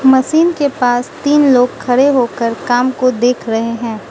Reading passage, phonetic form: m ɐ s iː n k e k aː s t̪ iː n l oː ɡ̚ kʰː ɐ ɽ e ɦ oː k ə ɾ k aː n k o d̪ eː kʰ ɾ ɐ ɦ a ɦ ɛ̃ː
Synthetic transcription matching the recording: m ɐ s iː n k e p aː s t̪ iː n l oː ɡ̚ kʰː ɐ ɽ e ɦ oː k ə ɾ k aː m k o d̪ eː kʰ ɾ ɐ ɦ e ɦ ɛ̃ː